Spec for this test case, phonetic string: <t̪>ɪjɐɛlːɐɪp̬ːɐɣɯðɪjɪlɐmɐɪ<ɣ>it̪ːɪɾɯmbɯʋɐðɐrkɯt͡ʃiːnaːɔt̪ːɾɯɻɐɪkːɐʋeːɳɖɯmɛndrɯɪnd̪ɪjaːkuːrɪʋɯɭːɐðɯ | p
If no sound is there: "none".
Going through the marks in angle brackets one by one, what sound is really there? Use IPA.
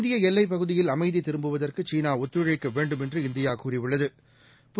d̪, ð

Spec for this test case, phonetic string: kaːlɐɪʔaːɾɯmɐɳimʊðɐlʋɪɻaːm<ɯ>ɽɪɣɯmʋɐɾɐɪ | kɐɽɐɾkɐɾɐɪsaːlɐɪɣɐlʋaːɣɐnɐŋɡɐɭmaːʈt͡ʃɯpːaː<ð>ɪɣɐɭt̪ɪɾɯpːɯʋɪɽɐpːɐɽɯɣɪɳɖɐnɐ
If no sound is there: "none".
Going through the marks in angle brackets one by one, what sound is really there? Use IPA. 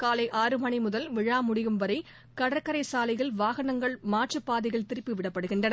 ʊ, ð

